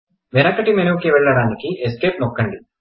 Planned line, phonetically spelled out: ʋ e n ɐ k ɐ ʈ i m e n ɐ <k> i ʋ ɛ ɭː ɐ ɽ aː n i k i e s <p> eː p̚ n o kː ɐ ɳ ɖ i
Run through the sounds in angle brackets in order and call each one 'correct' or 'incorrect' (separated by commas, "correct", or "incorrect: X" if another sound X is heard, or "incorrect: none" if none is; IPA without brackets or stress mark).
correct, incorrect: k